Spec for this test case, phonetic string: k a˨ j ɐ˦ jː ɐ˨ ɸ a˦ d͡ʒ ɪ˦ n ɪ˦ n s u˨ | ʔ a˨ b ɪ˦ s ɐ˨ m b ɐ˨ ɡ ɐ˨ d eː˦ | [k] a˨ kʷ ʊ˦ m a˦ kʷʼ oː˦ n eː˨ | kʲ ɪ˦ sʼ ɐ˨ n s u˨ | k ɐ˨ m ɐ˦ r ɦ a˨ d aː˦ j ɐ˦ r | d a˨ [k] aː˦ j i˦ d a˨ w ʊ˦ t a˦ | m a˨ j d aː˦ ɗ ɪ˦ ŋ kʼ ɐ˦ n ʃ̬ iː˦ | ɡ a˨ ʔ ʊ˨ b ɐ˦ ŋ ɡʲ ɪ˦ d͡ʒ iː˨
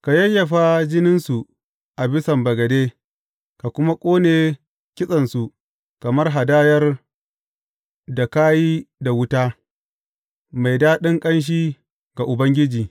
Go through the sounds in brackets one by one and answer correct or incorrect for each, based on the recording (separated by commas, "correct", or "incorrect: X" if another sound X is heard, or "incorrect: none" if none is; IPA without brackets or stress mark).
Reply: correct, correct